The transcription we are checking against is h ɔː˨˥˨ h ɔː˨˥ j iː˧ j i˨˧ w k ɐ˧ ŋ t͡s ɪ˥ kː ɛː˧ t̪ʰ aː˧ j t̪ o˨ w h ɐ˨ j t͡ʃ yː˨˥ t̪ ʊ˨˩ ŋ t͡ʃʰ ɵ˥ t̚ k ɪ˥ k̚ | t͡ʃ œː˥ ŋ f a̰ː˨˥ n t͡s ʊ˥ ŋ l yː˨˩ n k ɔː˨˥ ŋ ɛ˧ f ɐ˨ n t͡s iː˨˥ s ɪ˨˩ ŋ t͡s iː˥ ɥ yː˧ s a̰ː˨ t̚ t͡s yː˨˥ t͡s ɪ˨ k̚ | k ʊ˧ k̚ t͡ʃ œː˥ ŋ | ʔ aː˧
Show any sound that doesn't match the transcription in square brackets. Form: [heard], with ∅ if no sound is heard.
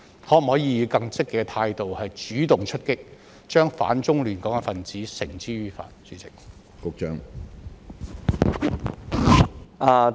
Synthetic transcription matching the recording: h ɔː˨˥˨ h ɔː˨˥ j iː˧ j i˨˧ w k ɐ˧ ŋ t͡s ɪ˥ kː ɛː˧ t̪ʰ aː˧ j t̪ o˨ w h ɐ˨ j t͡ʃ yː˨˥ t̪ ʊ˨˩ ŋ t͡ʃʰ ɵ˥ t̚ k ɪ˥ k̚ | t͡ʃ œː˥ ŋ f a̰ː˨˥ n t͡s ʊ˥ ŋ l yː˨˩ n k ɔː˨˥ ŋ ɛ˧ f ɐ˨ n t͡s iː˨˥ s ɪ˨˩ ŋ t͡s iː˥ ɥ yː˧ [f] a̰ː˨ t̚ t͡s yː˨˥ t͡s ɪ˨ k̚ | k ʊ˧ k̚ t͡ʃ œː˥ ŋ | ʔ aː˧